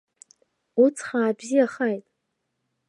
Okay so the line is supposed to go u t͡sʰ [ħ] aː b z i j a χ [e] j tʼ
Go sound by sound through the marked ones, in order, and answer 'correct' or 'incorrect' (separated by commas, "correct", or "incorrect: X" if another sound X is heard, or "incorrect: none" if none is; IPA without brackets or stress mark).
incorrect: χ, incorrect: a